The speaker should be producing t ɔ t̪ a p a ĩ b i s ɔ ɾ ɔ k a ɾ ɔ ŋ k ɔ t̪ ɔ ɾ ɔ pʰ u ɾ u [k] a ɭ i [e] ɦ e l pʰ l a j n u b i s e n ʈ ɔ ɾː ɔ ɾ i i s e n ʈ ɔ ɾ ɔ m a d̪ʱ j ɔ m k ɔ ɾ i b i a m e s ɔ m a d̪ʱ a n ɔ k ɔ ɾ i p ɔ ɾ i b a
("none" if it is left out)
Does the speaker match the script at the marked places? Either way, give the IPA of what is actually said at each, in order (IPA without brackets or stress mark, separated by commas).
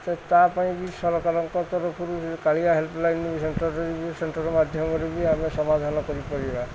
k, a